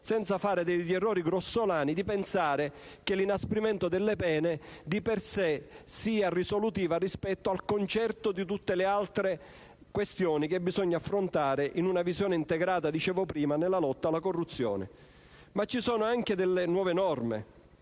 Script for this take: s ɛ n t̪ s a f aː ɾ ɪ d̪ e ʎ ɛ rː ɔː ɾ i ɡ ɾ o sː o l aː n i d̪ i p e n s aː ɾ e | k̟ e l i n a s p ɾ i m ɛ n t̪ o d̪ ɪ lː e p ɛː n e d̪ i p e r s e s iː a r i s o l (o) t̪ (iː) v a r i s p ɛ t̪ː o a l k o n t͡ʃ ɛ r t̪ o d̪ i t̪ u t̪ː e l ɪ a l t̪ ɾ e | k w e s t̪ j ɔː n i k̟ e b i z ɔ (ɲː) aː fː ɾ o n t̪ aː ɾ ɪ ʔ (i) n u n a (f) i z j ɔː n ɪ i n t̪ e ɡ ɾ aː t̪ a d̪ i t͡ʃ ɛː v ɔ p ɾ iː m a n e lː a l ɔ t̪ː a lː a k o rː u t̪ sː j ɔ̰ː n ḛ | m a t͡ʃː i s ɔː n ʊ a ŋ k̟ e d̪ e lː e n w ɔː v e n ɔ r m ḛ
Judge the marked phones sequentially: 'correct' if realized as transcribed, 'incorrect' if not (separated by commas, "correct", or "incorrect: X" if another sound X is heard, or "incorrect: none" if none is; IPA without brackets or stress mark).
incorrect: u, correct, correct, correct, incorrect: v